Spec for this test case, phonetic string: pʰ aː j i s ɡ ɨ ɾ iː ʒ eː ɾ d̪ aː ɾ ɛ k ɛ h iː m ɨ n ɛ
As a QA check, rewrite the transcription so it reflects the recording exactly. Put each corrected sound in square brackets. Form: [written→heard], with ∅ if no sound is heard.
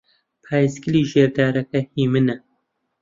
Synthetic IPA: pʰ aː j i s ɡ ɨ [ɾ→l] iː ʒ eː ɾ d̪ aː ɾ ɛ k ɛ h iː m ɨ n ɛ